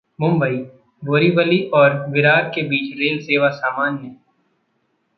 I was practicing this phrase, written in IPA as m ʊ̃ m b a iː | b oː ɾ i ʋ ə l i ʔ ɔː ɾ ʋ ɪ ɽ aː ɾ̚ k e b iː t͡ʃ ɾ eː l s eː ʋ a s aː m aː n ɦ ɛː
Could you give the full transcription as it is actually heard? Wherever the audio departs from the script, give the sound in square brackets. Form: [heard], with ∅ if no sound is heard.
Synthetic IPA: m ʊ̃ m b [ə] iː | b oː ɾ i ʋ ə l i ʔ ɔː ɾ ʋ ɪ [ɾ] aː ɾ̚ k e b iː t͡ʃ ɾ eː l s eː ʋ a s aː m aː n ɦ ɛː